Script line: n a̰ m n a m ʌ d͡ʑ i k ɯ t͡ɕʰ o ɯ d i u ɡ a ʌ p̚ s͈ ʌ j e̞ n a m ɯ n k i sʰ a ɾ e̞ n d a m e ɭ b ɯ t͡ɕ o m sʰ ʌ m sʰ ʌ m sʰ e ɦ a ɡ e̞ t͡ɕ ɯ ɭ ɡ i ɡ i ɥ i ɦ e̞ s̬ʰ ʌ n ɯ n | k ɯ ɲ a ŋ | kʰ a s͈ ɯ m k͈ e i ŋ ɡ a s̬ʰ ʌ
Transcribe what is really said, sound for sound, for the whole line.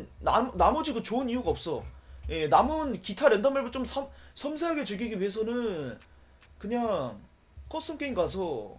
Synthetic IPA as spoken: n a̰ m n a m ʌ d͡ʑ i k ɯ t͡ɕ o ɯ n i u ɡ a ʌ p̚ s͈ ʌ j e̞ n a m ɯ n k i tʰ a ɾ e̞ n d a m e ɭ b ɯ t͡ɕ o m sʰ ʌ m sʰ ʌ m sʰ e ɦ a ɡ e̞ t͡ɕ ɯ ɭ ɡ i ɡ i ɥ i ɦ e̞ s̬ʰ ʌ n ɯ n | k ɯ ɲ a ŋ | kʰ ʌ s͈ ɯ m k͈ e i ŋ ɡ a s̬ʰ ʌ